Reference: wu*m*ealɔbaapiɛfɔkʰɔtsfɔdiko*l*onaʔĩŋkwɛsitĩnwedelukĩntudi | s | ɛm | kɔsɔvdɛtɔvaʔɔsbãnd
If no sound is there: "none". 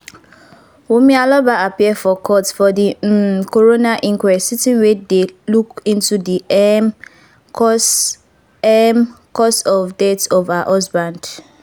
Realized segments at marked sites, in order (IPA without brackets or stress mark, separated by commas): m, ɹ